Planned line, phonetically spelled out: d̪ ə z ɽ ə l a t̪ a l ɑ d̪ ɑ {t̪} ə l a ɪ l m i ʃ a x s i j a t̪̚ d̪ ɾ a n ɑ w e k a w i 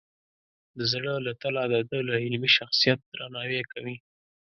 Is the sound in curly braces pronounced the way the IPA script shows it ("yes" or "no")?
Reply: no